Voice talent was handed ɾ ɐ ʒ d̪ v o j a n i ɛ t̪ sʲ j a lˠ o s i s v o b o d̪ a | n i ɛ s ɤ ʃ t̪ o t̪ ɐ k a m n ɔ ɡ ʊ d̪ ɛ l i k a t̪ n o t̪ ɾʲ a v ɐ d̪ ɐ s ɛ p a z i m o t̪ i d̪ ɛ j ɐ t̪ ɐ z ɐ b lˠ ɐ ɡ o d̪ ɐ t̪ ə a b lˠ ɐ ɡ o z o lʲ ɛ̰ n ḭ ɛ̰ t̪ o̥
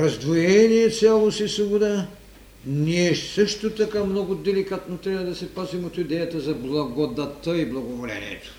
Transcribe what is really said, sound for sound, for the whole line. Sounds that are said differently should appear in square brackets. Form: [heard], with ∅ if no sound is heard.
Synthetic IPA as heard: ɾ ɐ [z] d̪ v o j [ɛ] n i ɛ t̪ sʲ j a lˠ o s i s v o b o d̪ a | n i ɛ s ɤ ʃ t̪ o t̪ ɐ k a m n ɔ ɡ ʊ d̪ ɛ l i k a t̪ n o t̪ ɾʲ a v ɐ d̪ ɐ s ɛ p a z i m o t̪ i d̪ ɛ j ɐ t̪ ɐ z ɐ b lˠ ɐ ɡ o d̪ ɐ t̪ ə [i] b lˠ ɐ ɡ o [v] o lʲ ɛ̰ n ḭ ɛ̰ t̪ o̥